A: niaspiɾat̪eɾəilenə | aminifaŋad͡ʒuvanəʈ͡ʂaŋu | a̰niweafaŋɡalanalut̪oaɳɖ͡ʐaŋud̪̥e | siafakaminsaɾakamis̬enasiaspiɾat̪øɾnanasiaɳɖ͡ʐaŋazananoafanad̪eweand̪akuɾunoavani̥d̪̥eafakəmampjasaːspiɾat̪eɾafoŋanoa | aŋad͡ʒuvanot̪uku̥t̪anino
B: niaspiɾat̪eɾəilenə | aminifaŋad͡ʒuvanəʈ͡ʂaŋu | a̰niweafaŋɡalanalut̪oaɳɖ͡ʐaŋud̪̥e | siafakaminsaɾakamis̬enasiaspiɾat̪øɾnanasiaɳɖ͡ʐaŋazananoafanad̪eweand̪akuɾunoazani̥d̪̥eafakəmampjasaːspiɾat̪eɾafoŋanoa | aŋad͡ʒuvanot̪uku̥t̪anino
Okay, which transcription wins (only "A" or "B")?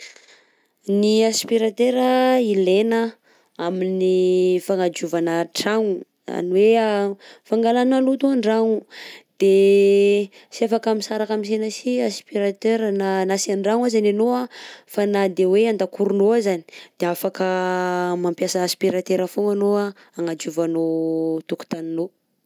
B